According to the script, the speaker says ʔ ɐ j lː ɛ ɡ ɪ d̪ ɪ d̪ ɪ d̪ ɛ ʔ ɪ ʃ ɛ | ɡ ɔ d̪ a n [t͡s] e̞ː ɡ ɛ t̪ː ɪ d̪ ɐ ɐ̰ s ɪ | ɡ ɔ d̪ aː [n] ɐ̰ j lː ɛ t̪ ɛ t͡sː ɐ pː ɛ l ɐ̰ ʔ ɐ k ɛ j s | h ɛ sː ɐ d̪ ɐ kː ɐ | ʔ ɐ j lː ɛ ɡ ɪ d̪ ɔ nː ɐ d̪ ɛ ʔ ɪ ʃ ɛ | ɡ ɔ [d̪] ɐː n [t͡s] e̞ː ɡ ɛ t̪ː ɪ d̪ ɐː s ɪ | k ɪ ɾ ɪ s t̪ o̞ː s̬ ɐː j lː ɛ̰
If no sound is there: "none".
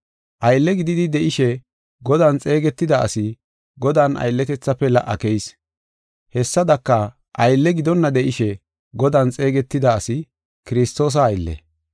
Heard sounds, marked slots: t͡sʼ, n, d̪, t͡sʼ

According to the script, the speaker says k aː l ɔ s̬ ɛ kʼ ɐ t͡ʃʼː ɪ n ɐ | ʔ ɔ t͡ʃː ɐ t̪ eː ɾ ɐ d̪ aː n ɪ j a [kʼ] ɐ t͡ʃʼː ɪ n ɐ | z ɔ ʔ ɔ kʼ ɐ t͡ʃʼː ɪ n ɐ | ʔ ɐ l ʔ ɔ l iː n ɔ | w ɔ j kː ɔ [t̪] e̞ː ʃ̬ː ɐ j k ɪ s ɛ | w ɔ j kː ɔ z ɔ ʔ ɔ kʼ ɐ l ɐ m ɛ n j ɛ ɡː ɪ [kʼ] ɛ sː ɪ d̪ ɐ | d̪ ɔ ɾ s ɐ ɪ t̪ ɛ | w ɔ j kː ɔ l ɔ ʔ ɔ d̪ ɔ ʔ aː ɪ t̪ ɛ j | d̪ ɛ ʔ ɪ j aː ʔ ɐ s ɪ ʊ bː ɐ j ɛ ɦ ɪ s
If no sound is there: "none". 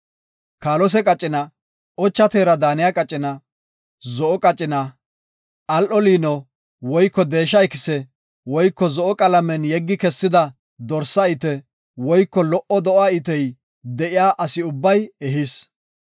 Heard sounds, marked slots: kʼ, d̪, k

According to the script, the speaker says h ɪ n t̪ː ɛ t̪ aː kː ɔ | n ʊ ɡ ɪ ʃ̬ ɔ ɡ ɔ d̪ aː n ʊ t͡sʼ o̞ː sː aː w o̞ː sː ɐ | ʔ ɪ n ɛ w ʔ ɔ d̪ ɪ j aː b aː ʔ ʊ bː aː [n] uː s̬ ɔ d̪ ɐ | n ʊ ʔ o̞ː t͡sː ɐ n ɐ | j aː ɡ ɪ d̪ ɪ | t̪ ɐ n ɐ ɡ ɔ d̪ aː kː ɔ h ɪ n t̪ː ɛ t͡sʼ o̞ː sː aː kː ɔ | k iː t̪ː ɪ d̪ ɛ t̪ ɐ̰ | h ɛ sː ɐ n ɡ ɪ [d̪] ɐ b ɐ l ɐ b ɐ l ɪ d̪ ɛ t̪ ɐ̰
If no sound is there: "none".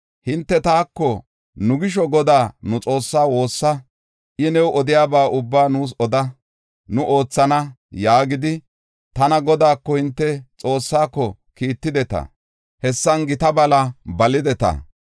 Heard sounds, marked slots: n, t̪

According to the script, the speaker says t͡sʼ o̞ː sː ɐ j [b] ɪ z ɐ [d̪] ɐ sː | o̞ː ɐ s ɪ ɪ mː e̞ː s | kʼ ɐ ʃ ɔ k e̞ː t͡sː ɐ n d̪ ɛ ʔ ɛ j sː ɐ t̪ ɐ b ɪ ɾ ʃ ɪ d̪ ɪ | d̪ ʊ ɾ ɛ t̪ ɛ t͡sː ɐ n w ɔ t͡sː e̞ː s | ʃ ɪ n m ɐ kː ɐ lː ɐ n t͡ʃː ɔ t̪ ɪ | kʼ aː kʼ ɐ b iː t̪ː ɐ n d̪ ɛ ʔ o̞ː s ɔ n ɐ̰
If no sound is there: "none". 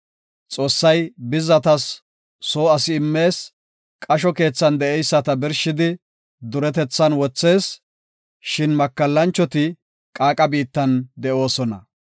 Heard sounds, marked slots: b, t̪

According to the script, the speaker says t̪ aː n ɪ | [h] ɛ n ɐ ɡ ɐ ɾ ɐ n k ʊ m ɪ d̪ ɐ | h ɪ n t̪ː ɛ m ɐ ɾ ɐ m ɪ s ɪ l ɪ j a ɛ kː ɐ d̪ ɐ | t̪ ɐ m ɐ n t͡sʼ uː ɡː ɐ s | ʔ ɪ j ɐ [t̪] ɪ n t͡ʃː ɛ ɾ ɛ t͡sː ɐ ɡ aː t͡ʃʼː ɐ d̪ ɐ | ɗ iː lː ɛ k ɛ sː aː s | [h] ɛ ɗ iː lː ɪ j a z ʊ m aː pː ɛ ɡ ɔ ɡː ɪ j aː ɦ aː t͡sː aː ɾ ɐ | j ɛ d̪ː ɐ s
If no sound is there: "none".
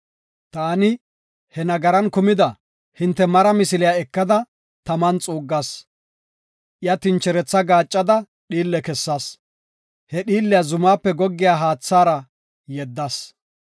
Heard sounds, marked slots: h, t̪, h

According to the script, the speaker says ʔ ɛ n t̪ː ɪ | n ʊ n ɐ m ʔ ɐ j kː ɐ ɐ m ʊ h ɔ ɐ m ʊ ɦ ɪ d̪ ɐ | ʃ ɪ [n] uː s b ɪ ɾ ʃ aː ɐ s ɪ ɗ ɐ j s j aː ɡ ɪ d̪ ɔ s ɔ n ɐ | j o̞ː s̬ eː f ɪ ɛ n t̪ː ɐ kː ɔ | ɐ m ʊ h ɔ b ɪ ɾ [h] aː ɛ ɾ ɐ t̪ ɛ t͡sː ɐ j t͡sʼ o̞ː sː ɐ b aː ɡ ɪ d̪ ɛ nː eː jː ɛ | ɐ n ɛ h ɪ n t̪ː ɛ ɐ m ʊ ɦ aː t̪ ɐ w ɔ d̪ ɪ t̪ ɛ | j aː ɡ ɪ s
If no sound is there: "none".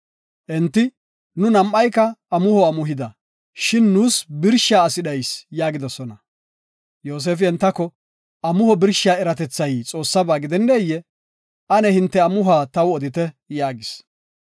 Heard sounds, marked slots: nː, ʃ

